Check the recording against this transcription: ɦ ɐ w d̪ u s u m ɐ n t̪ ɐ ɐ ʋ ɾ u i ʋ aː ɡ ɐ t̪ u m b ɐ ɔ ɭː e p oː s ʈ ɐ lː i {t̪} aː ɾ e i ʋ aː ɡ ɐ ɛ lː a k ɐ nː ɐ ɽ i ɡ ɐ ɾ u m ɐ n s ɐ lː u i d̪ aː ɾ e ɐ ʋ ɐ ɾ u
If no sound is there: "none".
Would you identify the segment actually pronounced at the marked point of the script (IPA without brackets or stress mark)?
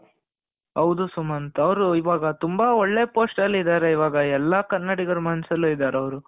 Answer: d̪